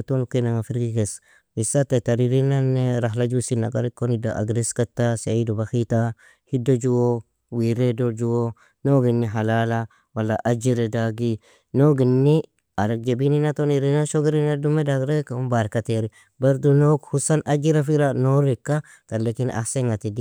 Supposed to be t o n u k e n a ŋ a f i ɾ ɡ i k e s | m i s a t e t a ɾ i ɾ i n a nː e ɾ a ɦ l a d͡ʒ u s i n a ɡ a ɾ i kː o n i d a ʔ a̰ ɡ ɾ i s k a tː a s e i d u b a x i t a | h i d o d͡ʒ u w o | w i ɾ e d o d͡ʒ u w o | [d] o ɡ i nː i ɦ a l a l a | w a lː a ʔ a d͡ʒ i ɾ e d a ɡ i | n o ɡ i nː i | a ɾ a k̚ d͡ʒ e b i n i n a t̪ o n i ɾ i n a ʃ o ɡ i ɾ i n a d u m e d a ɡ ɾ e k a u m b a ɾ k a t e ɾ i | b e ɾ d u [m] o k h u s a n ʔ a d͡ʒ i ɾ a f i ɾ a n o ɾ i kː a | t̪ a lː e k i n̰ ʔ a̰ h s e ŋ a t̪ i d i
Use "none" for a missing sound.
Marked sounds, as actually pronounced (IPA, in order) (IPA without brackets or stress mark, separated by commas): n, n